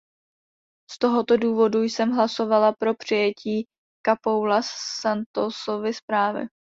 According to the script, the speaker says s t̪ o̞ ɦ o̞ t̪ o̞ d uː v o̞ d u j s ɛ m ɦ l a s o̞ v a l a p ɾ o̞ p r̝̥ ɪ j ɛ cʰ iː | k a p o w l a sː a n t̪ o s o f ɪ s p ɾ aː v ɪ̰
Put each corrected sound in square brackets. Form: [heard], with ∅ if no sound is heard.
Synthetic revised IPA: s t̪ o̞ ɦ o̞ t̪ o̞ d uː v o̞ d u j s ɛ m ɦ l a s o̞ v a l a p ɾ o̞ p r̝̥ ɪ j ɛ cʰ iː | k a p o w l a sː a n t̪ o s o [v] ɪ s p ɾ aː v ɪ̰

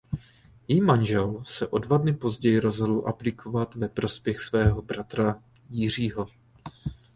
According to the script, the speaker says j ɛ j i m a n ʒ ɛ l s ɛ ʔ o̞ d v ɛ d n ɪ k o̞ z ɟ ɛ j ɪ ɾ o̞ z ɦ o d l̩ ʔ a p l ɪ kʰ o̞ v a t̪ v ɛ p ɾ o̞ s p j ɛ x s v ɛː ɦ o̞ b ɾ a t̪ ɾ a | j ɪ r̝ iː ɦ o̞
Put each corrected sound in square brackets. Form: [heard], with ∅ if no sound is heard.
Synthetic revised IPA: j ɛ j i m a n ʒ ɛ l s ɛ ʔ o̞ d v [a] d n ɪ [p] o̞ z ɟ ɛ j ɪ ɾ o̞ z ɦ o d l̩ ʔ a p l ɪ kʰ o̞ v a t̪ v ɛ p ɾ o̞ s p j ɛ x s v ɛː ɦ o̞ b ɾ a t̪ ɾ a | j ɪ r̝ iː ɦ o̞

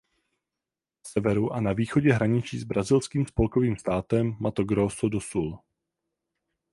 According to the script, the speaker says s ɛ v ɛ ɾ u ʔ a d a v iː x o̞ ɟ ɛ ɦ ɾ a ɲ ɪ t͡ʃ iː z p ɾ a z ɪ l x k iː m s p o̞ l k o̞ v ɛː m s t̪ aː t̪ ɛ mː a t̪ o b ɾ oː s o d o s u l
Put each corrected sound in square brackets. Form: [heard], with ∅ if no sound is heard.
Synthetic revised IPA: s ɛ v ɛ ɾ u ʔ a [n] a v iː x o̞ ɟ ɛ ɦ ɾ a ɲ ɪ t͡ʃ iː z [b] ɾ a z ɪ l [s] k iː m s p o̞ l k o̞ v [iː] m s t̪ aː t̪ ɛ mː a t̪ o [ɡ] ɾ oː s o d o s u l

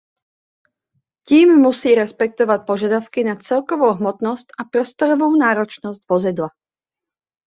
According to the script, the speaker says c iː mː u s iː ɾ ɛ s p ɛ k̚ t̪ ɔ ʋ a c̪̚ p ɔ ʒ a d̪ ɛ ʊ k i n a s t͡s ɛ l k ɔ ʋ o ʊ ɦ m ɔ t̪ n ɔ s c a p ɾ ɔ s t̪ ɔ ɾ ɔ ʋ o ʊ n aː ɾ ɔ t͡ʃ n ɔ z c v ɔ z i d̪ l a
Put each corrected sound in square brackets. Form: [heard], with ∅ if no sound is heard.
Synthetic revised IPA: c iː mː u s iː ɾ ɛ s p ɛ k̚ t̪ ɔ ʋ a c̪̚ p ɔ ʒ a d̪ [a] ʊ k i n a [∅] t͡s ɛ l k ɔ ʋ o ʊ ɦ m ɔ t̪ n ɔ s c a p ɾ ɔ s t̪ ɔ ɾ ɔ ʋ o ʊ n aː ɾ ɔ t͡ʃ n ɔ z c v ɔ z i d̪ l a

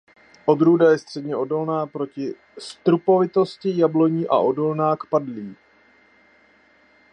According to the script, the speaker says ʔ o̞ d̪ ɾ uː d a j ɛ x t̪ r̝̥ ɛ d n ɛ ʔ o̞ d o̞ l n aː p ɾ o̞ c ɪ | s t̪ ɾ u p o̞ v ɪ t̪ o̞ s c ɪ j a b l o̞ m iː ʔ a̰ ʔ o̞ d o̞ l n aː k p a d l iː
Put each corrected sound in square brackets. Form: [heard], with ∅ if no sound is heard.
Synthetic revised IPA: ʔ o̞ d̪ ɾ uː d a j ɛ [s] t̪ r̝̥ ɛ d [ɲ] ɛ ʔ o̞ d o̞ l n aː p ɾ o̞ c ɪ | s t̪ ɾ u p o̞ v ɪ t̪ o̞ s c ɪ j a b l o̞ [ɲ] iː ʔ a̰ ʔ o̞ d o̞ l n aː k p a d l iː

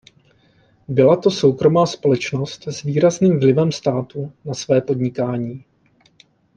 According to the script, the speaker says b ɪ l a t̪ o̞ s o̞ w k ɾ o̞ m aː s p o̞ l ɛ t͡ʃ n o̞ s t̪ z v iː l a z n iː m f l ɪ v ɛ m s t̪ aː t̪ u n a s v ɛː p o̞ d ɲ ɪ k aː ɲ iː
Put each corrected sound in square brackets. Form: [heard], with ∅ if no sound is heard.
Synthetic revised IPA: b ɪ l a t̪ o̞ s o̞ w k ɾ o̞ m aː s p o̞ l ɛ t͡ʃ n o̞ s t̪ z v iː [ɾ] a z n iː m [v] l ɪ v ɛ m s t̪ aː t̪ u n a s v ɛː p o̞ d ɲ ɪ k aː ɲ iː

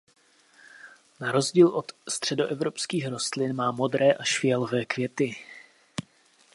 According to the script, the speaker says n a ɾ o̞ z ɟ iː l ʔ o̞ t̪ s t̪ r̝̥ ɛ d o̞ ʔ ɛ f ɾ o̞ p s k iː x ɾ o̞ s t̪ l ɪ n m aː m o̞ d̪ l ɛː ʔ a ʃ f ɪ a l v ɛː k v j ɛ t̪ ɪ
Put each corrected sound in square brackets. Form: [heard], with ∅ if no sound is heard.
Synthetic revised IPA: n a ɾ o̞ z ɟ iː l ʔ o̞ t̪ s t̪ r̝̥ ɛ d o̞ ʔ ɛ [v] ɾ o̞ p s k iː x ɾ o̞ s t̪ l ɪ n m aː m o̞ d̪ [ɾ] ɛː ʔ a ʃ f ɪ [ɛ] l v ɛː k v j ɛ t̪ ɪ

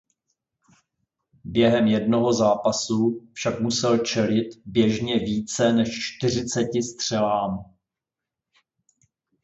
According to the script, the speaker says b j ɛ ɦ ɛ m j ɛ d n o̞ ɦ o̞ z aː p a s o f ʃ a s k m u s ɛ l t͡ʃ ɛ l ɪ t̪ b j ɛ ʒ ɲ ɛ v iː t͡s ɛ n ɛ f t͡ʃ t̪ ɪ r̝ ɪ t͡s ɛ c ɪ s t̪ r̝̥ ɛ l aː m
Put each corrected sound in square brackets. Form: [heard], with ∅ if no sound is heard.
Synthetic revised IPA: b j ɛ ɦ ɛ m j ɛ d n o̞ ɦ o̞ z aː p a s [u] f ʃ a [∅] k m u s ɛ l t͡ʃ ɛ l ɪ t̪ b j ɛ ʒ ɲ ɛ v iː t͡s ɛ n ɛ [ʃ] t͡ʃ t̪ ɪ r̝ ɪ t͡s ɛ c ɪ s t̪ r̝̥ ɛ l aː m

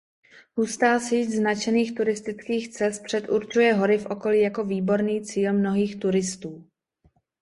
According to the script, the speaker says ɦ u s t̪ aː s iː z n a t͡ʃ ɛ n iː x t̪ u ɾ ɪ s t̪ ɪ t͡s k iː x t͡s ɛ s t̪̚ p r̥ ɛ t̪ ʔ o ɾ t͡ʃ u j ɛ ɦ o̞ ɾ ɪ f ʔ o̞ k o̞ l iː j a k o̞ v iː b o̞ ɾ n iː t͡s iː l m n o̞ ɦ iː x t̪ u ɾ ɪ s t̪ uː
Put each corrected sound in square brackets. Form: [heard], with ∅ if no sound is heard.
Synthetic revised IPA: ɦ u s t̪ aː s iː z n a t͡ʃ ɛ n iː x t̪ u ɾ ɪ s t̪ ɪ t͡s k iː x t͡s ɛ s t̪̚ p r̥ ɛ t̪ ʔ [u] ɾ t͡ʃ u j ɛ ɦ o̞ ɾ ɪ f ʔ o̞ k o̞ l iː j a k o̞ v iː b o̞ ɾ n iː t͡s iː l m n o̞ ɦ iː x t̪ u ɾ ɪ s t̪ uː

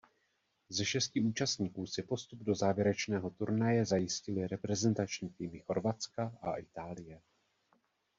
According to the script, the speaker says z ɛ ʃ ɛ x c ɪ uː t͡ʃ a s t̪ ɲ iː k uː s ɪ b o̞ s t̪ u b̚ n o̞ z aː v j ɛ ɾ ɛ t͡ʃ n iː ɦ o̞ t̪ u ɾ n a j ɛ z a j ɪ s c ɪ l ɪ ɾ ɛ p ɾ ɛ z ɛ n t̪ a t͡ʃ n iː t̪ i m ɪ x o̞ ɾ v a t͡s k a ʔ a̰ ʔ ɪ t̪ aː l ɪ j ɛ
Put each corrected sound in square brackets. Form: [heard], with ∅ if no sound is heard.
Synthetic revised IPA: z ɛ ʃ ɛ [s] c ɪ uː t͡ʃ a s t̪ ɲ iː k uː s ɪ [p] o̞ s t̪ u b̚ [d] o̞ z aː v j ɛ ɾ ɛ t͡ʃ n [ɛː] ɦ o̞ t̪ u ɾ n a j ɛ z a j ɪ s c ɪ l ɪ ɾ ɛ p ɾ ɛ z ɛ n t̪ a t͡ʃ [ɲ] iː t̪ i m ɪ x o̞ ɾ v a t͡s k a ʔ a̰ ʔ ɪ t̪ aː l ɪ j ɛ

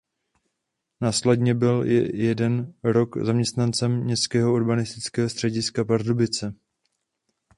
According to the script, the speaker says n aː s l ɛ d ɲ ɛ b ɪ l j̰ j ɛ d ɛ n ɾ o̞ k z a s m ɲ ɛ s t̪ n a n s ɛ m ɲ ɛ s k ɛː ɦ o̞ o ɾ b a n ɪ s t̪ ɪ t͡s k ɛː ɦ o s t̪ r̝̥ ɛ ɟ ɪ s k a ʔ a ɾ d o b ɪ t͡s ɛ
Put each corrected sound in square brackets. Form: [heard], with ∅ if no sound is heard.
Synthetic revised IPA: n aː s l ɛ d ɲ ɛ b ɪ l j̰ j ɛ d ɛ n ɾ o̞ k z a [∅] m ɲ ɛ s t̪ n a n [t͡s] ɛ m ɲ ɛ s k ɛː ɦ o̞ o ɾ b a n ɪ s t̪ ɪ t͡s k ɛː ɦ o s t̪ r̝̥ ɛ ɟ ɪ s k a [p] a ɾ d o b ɪ t͡s ɛ

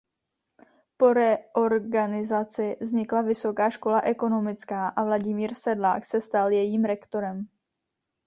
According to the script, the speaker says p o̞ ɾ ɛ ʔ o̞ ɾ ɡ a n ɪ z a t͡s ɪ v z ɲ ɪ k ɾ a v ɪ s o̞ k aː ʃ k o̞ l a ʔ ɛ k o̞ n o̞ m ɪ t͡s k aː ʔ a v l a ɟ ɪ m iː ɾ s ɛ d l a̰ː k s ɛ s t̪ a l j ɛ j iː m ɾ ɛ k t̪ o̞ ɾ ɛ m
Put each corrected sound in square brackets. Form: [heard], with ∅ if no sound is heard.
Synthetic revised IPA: p o̞ ɾ ɛ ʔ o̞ ɾ ɡ a n ɪ z a t͡s ɪ v z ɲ ɪ k [l] a v ɪ s o̞ k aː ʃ k o̞ l a ʔ ɛ k o̞ n o̞ m ɪ t͡s k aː ʔ a v l a ɟ ɪ m iː ɾ s ɛ d l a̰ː k s ɛ s t̪ a l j ɛ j iː m ɾ ɛ k t̪ o̞ ɾ ɛ m

